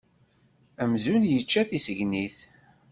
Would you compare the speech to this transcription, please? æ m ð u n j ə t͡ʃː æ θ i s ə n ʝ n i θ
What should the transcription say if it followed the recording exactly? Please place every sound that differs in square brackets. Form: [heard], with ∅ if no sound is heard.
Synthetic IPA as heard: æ m [z] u n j ə t͡ʃː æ θ i s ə [∅] ʝ n i θ